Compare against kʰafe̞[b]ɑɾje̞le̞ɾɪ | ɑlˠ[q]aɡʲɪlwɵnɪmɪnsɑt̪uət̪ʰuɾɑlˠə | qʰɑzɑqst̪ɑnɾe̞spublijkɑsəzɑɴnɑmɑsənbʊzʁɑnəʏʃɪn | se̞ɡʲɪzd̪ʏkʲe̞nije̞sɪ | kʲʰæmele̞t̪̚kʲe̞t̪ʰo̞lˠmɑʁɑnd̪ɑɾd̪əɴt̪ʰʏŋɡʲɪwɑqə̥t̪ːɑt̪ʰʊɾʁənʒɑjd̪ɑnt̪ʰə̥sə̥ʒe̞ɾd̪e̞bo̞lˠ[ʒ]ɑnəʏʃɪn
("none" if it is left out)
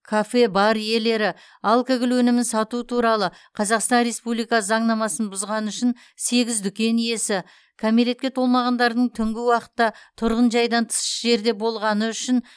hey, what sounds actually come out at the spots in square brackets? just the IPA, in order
b, k, ʁ

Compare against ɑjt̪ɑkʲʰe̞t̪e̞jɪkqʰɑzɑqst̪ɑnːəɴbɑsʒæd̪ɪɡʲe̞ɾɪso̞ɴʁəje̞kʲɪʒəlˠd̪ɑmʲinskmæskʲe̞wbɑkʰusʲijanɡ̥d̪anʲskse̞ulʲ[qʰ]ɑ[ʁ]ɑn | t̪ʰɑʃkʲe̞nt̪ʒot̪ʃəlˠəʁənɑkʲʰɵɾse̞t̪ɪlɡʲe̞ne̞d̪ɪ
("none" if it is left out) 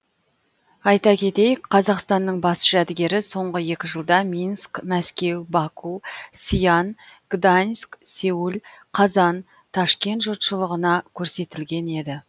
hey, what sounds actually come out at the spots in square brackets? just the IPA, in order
qʰ, z

